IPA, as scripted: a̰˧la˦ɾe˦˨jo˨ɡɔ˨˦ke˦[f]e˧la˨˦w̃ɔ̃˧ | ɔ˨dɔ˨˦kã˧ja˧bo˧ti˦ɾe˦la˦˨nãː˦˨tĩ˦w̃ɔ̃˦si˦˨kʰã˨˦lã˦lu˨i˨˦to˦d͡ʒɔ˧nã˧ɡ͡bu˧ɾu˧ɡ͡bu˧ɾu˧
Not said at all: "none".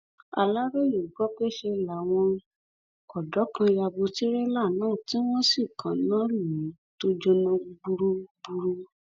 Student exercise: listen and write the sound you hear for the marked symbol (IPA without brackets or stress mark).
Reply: ʃ